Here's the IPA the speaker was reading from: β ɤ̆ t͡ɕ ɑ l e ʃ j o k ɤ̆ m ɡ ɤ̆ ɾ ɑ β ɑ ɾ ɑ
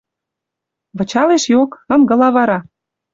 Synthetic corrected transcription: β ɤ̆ t͡ɕ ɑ l e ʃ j o k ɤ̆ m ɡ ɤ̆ l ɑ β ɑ ɾ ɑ